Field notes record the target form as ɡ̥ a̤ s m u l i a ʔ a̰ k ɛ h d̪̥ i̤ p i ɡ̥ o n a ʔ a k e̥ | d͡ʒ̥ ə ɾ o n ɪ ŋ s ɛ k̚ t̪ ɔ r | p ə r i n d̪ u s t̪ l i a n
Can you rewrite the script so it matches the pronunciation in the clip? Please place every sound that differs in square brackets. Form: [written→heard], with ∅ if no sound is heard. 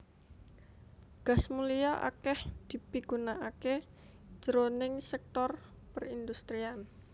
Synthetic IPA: ɡ̥ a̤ s m u l i a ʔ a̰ k ɛ h d̪̥ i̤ p i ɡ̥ [o→u] n a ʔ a k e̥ | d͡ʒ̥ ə ɾ o n ɪ ŋ s ɛ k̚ t̪ ɔ r | p ə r i n d̪ u s t̪ [l→ɾ] i a n